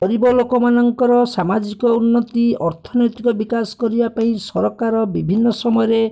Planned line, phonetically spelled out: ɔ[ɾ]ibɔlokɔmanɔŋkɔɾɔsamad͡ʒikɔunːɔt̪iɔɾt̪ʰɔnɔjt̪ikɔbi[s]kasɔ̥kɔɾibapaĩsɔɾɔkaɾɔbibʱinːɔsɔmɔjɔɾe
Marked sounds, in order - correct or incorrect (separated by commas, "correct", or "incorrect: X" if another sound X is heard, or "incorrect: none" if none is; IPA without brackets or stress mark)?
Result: correct, incorrect: none